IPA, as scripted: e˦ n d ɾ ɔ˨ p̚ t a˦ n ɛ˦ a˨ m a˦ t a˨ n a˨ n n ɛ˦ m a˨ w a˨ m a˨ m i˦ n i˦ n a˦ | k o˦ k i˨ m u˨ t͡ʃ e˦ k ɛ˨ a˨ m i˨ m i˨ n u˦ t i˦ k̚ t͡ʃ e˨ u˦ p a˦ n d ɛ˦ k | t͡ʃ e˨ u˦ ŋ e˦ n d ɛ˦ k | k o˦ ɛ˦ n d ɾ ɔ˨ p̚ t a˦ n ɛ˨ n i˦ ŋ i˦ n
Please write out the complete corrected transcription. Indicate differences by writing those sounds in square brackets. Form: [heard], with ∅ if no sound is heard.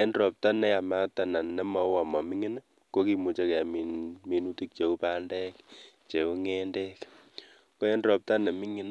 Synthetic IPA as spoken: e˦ n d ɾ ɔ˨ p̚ t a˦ n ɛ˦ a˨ m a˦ t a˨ n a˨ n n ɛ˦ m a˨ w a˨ m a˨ m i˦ [ŋ] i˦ n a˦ | k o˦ k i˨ m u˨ t͡ʃ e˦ k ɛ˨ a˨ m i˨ m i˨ n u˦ t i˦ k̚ t͡ʃ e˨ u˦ p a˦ n d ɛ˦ k | t͡ʃ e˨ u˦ ŋ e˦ n d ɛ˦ k | k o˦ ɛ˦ n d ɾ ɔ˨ p̚ t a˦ n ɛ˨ [m] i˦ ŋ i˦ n